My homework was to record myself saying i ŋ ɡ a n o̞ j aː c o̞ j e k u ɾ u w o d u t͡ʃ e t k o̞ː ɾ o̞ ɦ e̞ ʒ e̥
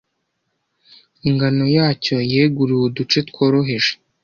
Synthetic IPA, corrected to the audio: i ŋ ɡ a n o̞ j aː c o̞ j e ɡ u ɾ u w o d u t͡ʃ e t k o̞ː ɾ o̞ ɦ e̞ ʒ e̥

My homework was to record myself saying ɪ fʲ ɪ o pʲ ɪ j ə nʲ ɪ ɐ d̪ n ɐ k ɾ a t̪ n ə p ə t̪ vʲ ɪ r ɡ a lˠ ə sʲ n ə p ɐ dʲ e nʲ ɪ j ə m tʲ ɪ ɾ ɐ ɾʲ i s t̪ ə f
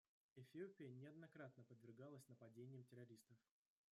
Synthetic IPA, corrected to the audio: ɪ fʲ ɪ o pʲ ɪ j ə nʲ ɪ ɐ d̪ n ɐ k ɾ a t̪ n ə p ə d̪ vʲ ɪ r ɡ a lˠ ə sʲ n ə p ɐ dʲ e nʲ ɪ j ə m tʲ ɪ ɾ ɐ ɾʲ i s t̪ ə f

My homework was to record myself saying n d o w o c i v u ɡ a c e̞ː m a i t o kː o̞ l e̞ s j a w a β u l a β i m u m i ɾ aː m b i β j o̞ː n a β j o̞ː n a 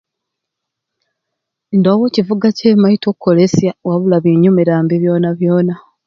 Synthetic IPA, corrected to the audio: n d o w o c i v u ɡ a c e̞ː m a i t o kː o̞ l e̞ s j a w a β u l a β i ɲ u m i ɾ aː m b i β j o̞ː n a β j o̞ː n a

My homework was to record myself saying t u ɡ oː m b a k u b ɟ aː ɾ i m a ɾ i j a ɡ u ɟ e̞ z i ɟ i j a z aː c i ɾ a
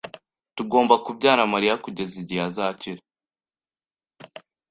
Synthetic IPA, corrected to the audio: t u ɡ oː m b a k u b ɟ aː ɾ a m a ɾ i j a k u ɟ e̞ z i ɟ i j a z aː c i ɾ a

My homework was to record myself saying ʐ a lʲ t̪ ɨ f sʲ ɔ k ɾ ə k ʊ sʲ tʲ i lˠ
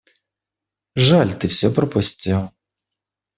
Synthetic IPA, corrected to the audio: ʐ a lʲ t̪ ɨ f sʲ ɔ p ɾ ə p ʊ sʲ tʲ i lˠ

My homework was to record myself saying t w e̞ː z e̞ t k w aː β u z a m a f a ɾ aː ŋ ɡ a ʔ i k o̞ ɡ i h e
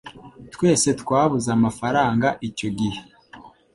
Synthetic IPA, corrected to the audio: t w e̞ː s e̞ t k w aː β u z a m a f a ɾ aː ŋ ɡ a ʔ i c o̞ ɡ i h e

